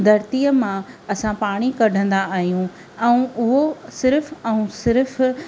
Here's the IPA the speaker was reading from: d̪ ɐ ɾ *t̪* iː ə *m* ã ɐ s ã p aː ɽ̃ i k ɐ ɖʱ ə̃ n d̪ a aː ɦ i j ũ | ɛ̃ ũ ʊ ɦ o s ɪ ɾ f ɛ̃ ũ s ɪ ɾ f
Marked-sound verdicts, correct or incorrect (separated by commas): correct, correct